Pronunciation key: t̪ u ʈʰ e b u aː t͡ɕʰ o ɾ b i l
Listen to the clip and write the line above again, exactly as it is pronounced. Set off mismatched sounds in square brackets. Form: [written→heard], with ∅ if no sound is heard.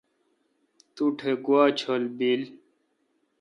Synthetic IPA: t̪ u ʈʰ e [b→ɡ] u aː t͡ɕʰ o [ɾ→l] b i l

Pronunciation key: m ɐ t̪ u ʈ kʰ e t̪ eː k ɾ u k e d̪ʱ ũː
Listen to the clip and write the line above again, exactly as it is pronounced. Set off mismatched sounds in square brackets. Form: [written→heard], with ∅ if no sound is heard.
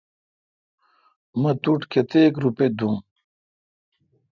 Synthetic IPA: m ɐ t̪ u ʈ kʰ e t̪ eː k ɾ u [k→p] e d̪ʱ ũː

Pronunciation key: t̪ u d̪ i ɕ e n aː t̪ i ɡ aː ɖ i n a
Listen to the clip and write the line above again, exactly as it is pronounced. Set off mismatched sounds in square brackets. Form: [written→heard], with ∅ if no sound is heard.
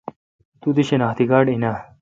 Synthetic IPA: t̪ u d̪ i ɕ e n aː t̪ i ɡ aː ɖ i n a

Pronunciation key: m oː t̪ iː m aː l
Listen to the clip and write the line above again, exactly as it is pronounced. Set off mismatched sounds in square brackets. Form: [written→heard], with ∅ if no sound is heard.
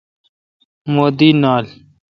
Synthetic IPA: m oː [t̪→d̪] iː [m→n] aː l

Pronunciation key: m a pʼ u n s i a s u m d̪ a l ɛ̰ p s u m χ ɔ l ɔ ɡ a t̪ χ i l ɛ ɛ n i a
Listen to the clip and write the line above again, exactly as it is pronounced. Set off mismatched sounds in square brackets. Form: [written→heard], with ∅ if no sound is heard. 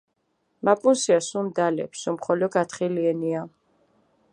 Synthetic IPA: m a pʼ u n s i a s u m d̪ a l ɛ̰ p s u m χ ɔ l ɔ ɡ a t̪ χ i l [ɛ→i] ɛ n i a

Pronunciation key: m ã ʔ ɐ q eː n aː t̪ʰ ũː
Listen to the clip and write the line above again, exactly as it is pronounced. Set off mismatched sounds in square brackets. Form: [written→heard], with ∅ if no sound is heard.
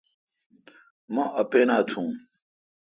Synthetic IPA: m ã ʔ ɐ [q→p] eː n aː t̪ʰ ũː

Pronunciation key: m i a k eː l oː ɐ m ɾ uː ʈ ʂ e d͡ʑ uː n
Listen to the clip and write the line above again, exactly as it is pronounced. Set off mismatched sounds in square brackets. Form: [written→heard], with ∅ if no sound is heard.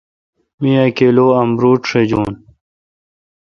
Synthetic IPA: m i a k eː l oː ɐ m ɾ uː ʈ ʂ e d͡ʑ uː n

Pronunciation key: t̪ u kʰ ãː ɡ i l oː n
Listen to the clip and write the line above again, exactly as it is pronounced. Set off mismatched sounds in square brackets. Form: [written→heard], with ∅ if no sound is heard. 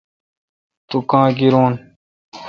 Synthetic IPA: t̪ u [kʰ→k] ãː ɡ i [l→ɾ] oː n

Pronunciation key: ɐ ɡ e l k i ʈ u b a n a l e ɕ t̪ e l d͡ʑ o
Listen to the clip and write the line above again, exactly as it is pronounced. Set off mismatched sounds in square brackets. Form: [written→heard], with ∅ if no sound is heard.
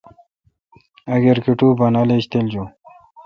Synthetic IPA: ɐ ɡ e [l→ɾ] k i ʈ u b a n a l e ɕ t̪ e l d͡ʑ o

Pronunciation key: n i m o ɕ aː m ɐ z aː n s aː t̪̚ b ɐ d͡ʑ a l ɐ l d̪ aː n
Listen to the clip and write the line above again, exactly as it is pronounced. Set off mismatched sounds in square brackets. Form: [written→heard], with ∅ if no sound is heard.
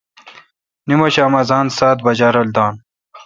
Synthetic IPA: n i m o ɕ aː m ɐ z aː n s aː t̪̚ b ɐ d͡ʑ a [l→ɾ] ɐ l d̪ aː n

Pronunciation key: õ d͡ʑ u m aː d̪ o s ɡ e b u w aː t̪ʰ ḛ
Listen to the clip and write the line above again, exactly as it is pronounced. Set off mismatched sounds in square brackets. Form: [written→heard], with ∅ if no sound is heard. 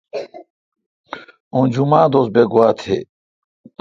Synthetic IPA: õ d͡ʑ u m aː d̪ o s [ɡ→b] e [b→ɡ] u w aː t̪ʰ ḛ

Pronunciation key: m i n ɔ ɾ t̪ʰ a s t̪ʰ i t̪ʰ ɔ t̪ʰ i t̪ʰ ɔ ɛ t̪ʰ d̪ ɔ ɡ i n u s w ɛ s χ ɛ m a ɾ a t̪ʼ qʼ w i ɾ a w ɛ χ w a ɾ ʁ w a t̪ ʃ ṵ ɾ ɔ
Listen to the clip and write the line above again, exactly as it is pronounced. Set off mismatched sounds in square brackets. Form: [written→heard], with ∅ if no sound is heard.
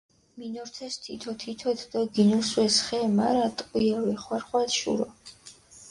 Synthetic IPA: m i n ɔ ɾ t̪ʰ [a→ɛ] s t̪ʰ i t̪ʰ ɔ t̪ʰ i t̪ʰ ɔ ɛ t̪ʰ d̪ ɔ ɡ i n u s w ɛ s χ ɛ m a ɾ a t̪ʼ qʼ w i [ɾ→∅] a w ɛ χ w a ɾ [ʁ→χ] w a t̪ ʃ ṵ ɾ ɔ

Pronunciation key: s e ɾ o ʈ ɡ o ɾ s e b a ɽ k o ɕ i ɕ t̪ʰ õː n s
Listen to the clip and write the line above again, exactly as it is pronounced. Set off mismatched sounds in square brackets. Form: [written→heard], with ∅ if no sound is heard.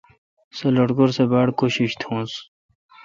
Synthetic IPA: s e [ɾ→l] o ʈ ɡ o ɾ s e b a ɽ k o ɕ i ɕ t̪ʰ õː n s

